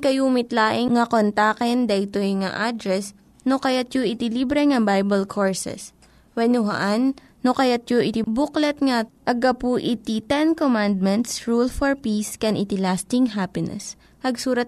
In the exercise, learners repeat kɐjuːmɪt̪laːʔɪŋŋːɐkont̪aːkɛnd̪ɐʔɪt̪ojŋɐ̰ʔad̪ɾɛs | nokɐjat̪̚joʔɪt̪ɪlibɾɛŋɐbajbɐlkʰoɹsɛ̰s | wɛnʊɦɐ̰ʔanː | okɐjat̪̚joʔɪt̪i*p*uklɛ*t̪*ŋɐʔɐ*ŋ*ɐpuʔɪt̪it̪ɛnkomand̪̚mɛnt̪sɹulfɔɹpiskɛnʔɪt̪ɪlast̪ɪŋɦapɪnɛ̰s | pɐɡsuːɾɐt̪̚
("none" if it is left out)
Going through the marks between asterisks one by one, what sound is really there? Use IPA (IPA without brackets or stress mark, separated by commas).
b, t̪, ɡ